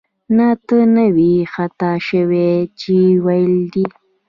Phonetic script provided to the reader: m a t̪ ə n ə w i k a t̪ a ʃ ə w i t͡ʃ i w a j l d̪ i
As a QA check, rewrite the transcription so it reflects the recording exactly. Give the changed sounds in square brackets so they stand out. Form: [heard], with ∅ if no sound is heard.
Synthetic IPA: [n] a t̪ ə n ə w i [x] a t̪ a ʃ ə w [e] t͡ʃ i w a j l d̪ i